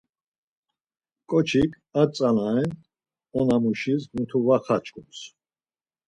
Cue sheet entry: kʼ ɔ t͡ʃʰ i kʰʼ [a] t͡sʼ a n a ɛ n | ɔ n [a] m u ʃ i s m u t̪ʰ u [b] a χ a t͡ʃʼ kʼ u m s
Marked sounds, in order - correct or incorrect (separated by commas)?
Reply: correct, correct, incorrect